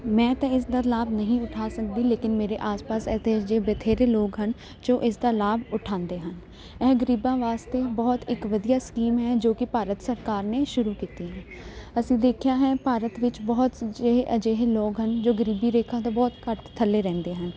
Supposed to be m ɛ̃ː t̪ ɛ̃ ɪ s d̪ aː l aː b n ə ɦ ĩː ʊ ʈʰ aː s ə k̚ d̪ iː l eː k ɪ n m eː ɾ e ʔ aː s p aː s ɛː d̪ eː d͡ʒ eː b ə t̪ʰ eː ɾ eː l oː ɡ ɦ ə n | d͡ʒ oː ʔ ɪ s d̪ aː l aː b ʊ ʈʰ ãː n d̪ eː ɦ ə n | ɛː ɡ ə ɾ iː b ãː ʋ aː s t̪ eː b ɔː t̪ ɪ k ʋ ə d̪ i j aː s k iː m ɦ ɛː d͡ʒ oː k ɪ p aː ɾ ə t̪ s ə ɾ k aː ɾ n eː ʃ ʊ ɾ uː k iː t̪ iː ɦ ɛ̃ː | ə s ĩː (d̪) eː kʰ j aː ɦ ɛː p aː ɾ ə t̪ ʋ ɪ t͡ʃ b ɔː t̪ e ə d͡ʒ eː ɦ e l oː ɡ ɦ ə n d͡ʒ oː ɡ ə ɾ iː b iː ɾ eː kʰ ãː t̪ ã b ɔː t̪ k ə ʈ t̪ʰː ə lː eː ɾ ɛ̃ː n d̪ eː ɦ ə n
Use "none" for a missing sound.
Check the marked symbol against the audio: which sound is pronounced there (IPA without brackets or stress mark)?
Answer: d̪